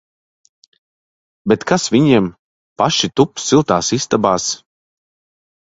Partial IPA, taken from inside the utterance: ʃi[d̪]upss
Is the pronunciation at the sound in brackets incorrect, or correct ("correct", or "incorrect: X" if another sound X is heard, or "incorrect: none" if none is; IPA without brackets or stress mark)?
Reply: incorrect: t̪